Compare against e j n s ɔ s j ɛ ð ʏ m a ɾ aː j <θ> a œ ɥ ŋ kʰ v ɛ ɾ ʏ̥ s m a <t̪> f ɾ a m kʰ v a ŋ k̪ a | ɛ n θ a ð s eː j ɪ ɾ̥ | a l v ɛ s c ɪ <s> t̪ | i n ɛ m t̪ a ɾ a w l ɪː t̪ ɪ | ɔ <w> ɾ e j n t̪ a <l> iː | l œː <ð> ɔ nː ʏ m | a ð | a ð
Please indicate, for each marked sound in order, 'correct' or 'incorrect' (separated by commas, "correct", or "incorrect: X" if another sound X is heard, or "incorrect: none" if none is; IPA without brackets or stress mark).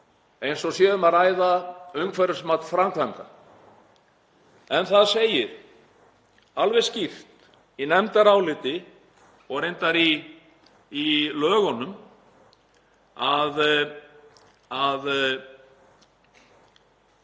incorrect: ð, correct, incorrect: f, incorrect: ɣ, incorrect: ɾ, incorrect: ɣ